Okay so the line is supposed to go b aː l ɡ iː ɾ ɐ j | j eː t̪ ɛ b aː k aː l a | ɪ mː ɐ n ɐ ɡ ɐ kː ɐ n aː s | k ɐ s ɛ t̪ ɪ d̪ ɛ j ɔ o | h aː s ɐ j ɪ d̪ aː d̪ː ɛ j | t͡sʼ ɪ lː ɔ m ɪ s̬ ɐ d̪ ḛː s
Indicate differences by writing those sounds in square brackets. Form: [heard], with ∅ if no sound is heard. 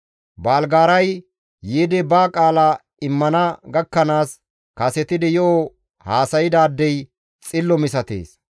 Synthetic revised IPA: b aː l ɡ [aː] ɾ ɐ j | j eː [d̪] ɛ b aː [kʼ] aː l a | ɪ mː ɐ n ɐ ɡ ɐ kː ɐ n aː s | k ɐ s ɛ t̪ ɪ d̪ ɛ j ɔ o | h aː s ɐ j ɪ d̪ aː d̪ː ɛ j | t͡sʼ ɪ lː ɔ m ɪ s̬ ɐ [t̪] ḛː s